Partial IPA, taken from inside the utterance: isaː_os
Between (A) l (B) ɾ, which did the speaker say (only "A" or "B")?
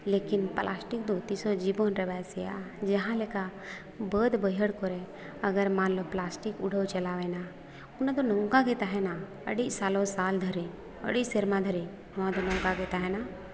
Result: A